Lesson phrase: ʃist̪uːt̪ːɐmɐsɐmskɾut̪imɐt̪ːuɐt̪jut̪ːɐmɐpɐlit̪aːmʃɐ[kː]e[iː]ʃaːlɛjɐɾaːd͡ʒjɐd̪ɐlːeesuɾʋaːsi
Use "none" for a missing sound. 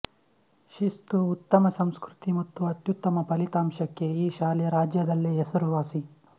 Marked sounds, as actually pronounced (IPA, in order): kː, iː

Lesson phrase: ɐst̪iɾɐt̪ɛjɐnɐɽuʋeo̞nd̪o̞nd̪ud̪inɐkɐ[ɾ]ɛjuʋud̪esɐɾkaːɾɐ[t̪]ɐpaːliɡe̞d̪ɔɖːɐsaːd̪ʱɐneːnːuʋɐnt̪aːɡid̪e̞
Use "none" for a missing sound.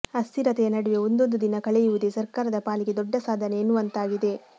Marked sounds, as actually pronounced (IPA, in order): ɭ, d̪

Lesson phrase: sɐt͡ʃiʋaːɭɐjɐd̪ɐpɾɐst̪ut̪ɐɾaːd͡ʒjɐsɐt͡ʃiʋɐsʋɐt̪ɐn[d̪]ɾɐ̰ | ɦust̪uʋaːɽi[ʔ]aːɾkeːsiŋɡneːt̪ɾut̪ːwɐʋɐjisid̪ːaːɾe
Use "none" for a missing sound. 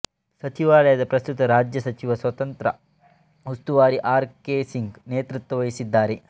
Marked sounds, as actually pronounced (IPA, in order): t̪, ʔ

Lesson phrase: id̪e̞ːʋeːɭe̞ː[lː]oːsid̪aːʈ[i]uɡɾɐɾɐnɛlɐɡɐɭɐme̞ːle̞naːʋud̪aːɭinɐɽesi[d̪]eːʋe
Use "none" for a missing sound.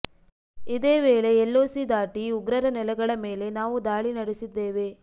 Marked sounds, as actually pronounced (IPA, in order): lː, i, d̪ː

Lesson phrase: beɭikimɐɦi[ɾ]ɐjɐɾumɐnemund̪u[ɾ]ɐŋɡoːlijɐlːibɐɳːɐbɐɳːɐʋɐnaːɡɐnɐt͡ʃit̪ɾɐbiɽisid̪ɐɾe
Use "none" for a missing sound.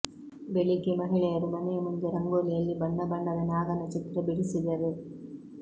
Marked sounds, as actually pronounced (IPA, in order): ɭ, ɾ

